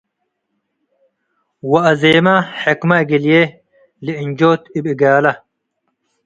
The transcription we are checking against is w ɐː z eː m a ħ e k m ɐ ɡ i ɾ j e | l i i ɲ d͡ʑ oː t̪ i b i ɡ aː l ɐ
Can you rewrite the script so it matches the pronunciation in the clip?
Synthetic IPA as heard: w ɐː z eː m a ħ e k m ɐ ɡ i l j e | l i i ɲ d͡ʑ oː t̪ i b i ɡ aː l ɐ